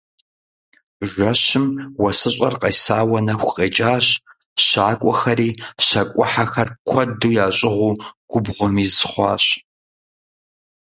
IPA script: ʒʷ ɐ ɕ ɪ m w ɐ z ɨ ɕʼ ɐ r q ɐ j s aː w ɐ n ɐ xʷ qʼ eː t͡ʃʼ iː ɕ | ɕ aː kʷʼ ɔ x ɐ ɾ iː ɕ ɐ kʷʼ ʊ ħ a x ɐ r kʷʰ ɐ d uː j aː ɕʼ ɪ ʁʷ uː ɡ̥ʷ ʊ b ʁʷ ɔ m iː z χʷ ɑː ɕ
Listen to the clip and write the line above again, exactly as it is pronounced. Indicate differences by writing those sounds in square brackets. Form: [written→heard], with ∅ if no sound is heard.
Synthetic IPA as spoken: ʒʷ ɐ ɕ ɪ m w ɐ [z→s] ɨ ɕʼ ɐ r q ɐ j s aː w ɐ n ɐ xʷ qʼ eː t͡ʃʼ [iː→aː] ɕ | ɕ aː kʷʼ ɔ x ɐ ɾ iː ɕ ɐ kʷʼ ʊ ħ a x ɐ r kʷʰ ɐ d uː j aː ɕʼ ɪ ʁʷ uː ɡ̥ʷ ʊ b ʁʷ ɔ m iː z χʷ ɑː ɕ